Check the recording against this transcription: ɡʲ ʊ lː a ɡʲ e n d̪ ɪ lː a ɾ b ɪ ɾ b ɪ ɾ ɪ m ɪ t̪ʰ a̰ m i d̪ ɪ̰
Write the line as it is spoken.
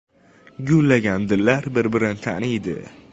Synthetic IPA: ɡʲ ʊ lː a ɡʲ a n d̪ ɪ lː a ɾ b ɪ ɾ b ɪ ɾ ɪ n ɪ t̪ʰ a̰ n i d̪ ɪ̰